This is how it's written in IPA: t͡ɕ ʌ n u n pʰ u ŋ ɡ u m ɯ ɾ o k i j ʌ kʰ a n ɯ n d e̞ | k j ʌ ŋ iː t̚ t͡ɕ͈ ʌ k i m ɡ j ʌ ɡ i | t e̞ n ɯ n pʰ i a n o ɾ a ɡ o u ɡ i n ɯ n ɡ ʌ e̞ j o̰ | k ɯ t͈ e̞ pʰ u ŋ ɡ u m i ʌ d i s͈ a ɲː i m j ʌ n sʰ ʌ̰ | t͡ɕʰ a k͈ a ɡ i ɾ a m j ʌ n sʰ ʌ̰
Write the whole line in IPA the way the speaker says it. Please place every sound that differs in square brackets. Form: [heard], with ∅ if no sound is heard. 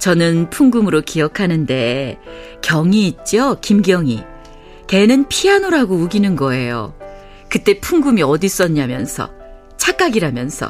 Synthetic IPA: t͡ɕ ʌ n [ɯ] n pʰ u ŋ ɡ u m ɯ ɾ o k i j ʌ kʰ a n ɯ n d e̞ | k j ʌ ŋ iː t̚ t͡ɕ͈ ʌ k i m ɡ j ʌ [ŋ] i | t e̞ n ɯ n pʰ i a n o ɾ a ɡ o u ɡ i n ɯ n ɡ ʌ e̞ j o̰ | k ɯ t͈ e̞ pʰ u ŋ ɡ u m i ʌ d i s͈ [ʌ] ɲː [a] m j ʌ n sʰ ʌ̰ | t͡ɕʰ a k͈ a ɡ i ɾ a m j ʌ n sʰ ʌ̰